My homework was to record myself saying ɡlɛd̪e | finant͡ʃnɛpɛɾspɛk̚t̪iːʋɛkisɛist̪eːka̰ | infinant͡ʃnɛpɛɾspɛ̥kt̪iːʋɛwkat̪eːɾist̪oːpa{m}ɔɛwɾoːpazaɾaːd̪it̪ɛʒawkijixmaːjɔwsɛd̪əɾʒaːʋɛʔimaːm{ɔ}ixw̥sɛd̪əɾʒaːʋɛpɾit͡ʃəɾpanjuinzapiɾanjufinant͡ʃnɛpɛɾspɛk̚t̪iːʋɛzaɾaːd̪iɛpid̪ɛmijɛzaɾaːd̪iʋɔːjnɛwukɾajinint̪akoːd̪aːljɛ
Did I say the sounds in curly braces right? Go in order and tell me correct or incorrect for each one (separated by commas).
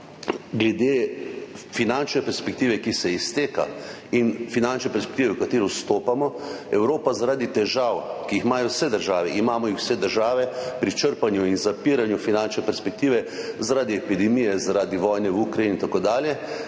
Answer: correct, correct